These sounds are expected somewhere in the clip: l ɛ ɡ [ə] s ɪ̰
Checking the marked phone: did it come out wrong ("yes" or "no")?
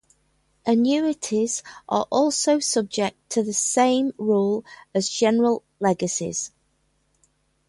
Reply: no